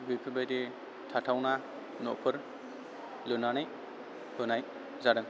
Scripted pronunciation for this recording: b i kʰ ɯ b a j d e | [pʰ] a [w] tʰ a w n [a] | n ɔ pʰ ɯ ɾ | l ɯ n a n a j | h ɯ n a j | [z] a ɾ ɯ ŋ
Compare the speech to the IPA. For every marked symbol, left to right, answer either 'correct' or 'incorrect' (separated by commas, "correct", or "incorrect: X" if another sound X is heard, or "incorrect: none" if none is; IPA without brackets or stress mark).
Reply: incorrect: tʰ, incorrect: none, correct, correct